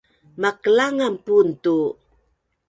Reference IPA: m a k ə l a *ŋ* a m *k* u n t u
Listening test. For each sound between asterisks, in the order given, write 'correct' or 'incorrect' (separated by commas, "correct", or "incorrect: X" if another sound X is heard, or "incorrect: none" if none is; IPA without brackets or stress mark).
correct, incorrect: p